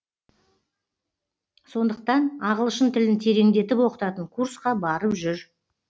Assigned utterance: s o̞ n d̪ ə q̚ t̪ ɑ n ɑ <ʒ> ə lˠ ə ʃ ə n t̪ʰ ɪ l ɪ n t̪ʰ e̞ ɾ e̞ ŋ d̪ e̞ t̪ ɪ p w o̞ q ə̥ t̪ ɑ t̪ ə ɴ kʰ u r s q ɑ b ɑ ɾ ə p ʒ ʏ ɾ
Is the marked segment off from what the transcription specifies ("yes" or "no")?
yes